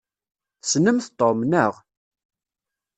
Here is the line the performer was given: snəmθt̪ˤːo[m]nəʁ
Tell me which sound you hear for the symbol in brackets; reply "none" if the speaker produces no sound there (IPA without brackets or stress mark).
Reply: m